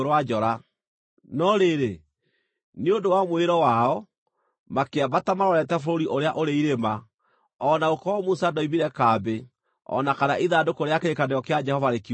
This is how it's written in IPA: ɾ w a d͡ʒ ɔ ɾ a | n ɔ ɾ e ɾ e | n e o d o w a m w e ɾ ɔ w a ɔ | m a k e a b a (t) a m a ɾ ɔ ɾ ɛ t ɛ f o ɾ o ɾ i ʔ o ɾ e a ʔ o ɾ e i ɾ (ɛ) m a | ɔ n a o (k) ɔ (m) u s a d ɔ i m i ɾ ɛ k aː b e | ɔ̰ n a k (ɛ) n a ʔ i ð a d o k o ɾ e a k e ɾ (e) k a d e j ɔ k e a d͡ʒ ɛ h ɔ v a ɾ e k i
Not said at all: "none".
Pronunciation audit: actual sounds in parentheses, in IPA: t, e, k, m, a, e

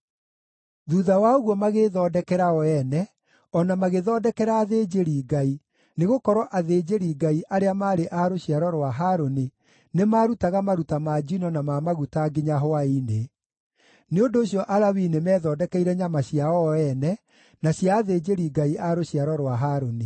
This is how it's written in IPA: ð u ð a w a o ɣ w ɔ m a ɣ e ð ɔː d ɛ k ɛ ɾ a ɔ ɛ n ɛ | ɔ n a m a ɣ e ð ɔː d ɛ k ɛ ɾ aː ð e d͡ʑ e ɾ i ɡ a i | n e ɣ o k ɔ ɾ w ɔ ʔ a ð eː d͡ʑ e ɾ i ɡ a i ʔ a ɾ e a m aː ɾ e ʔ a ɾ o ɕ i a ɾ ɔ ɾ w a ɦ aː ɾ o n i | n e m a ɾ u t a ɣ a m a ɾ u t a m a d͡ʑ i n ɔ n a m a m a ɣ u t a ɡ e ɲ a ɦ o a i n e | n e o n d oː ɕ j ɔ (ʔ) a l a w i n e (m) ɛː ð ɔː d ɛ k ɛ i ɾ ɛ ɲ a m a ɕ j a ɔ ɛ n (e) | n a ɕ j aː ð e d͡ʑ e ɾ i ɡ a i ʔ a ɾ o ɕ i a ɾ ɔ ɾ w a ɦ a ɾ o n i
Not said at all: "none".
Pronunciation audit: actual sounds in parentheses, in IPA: ʔ, m, ɛ

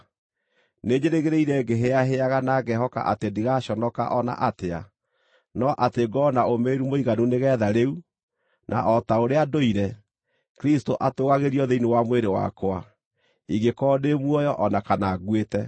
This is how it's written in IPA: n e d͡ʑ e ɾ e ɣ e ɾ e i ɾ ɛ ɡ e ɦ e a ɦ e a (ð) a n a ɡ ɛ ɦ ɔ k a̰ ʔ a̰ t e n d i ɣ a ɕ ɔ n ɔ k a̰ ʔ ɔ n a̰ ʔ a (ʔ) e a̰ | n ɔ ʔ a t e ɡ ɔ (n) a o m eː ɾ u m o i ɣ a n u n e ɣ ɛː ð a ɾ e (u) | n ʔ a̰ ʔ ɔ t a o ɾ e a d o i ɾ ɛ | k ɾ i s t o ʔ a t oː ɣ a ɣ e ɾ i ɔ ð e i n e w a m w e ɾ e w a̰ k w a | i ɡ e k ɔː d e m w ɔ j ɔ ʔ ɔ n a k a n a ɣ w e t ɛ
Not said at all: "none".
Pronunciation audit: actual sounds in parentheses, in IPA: ɣ, t, n, u

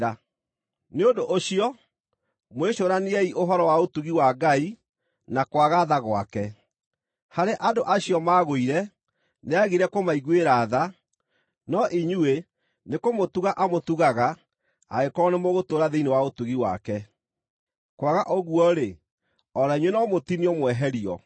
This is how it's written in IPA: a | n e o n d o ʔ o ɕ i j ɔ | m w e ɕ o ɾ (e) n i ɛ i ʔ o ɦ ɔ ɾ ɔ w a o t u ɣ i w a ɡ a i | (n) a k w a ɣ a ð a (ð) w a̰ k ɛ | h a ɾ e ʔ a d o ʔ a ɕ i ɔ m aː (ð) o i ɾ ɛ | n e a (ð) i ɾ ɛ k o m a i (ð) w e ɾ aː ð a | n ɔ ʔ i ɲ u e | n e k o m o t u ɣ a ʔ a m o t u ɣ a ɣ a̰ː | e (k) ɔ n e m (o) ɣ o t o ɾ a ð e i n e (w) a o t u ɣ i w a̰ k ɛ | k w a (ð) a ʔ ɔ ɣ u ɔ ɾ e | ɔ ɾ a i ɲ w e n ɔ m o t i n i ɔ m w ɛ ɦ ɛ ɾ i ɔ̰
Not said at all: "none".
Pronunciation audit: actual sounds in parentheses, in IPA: a, n, ɣ, ɣ, ɣ, ɣ, k, o, w, ɣ

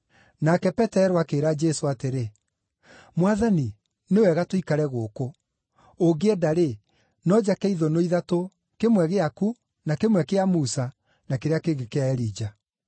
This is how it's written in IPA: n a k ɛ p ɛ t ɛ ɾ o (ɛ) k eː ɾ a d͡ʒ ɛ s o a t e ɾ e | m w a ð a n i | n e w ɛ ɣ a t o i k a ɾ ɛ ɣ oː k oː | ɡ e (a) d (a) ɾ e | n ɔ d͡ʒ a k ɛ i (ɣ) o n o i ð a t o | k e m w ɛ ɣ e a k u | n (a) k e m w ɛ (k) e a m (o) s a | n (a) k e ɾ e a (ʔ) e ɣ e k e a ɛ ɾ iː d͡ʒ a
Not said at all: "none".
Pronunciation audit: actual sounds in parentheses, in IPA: a, ɛ, a, ð, a, k, u, a, k

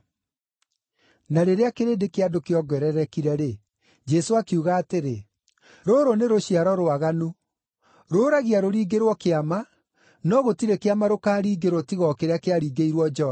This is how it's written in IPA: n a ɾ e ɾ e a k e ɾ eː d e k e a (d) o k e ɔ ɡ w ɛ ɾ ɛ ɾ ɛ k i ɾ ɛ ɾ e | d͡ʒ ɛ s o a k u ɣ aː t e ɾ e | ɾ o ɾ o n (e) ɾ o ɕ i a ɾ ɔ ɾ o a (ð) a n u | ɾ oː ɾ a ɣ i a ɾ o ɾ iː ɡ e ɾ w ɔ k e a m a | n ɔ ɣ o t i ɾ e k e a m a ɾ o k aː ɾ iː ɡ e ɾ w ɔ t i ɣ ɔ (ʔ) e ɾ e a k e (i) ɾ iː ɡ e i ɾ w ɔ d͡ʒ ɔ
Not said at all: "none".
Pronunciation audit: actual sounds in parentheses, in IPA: d, e, ɣ, k, a

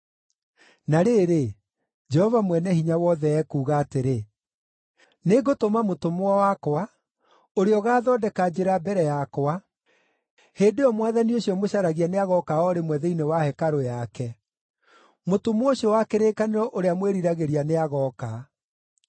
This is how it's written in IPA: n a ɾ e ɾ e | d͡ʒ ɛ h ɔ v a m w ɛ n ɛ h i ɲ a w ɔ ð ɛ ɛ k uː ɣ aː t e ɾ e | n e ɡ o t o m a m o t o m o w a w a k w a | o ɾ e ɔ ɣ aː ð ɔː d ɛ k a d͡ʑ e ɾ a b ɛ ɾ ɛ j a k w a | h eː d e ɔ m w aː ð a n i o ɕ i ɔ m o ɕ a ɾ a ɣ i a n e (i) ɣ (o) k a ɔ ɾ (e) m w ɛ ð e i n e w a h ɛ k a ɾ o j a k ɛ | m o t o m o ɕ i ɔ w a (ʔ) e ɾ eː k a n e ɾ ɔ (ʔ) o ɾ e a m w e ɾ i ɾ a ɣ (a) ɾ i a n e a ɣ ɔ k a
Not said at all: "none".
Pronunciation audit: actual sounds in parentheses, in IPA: a, ɔ, e, k, ʔ, e

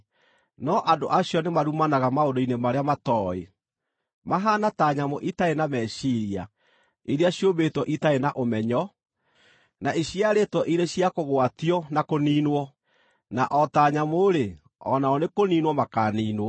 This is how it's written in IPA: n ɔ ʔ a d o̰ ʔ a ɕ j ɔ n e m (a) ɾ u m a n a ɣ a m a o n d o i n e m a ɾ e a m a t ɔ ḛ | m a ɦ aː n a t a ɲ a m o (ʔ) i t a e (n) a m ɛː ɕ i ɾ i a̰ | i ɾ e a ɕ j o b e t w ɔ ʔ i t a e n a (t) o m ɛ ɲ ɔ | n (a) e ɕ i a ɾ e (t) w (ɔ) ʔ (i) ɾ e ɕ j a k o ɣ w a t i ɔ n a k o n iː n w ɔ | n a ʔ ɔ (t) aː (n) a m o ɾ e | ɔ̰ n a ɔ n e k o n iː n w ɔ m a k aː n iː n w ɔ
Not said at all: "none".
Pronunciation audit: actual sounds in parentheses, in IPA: a, ʔ, n, ʔ, a, t, ɔ, i, t, ɲ

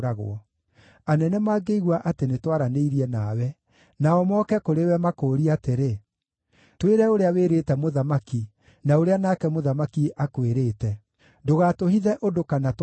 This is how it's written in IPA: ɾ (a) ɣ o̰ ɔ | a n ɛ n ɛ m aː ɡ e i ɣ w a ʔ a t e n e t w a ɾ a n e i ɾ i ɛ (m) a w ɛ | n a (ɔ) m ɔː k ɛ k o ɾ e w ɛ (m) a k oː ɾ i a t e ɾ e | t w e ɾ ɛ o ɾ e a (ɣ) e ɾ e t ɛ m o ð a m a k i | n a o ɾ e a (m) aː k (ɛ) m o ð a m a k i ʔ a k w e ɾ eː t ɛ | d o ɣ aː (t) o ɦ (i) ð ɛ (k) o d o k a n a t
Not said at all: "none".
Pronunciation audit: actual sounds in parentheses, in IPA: a, n, ɔ, m, w, n, ɛ, t, i, ʔ

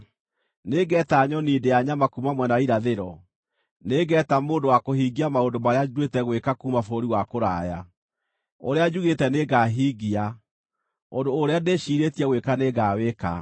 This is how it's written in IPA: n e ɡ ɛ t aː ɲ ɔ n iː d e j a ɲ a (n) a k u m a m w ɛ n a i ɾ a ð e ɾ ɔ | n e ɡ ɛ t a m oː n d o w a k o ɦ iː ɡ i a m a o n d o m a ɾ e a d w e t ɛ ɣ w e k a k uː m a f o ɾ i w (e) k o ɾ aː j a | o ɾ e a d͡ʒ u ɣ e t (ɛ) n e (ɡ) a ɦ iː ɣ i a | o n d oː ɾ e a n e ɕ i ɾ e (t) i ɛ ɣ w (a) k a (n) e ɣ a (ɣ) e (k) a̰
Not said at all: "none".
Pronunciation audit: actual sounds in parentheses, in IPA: m, a, ɛ, ɡ, t, e, n, w, k

